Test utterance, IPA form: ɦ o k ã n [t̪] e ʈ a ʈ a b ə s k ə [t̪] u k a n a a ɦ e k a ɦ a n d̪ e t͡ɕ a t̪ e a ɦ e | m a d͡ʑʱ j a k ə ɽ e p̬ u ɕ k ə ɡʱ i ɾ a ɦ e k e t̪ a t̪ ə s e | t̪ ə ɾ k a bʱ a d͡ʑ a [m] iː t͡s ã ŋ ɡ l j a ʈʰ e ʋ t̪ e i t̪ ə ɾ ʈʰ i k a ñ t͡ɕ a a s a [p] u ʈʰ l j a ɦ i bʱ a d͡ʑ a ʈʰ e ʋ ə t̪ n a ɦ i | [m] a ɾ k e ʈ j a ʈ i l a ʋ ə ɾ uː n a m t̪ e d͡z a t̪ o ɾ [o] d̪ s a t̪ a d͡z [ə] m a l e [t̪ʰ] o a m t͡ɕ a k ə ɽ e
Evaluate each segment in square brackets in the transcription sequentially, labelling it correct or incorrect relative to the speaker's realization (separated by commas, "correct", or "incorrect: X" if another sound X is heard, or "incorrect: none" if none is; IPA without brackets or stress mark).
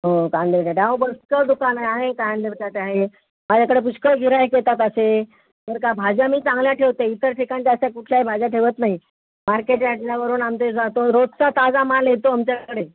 incorrect: d̪, incorrect: d̪, correct, incorrect: k, correct, correct, incorrect: a, incorrect: t̪